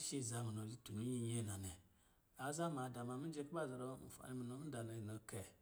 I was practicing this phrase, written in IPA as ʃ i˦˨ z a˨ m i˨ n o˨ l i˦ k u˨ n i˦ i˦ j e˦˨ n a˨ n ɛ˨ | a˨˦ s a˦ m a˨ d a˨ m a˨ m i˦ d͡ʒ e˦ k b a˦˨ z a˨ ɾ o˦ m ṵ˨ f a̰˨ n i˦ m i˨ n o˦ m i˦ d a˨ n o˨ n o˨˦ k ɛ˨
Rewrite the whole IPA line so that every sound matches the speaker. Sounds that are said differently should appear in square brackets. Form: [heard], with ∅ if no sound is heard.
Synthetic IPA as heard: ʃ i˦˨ z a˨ m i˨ n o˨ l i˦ [t] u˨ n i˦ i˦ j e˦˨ n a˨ n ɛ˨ | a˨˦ [z] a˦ m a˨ d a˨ m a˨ m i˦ d͡ʒ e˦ k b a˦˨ z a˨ ɾ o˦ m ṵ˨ f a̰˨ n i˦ m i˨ n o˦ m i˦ d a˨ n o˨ n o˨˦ k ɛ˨